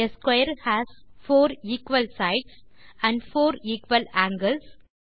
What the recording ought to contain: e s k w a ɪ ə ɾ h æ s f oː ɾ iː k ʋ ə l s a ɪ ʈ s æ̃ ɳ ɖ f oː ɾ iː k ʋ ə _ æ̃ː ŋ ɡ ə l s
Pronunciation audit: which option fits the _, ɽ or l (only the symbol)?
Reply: l